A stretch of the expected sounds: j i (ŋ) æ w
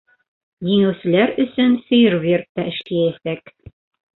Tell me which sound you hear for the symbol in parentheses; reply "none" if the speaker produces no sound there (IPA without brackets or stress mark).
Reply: ŋ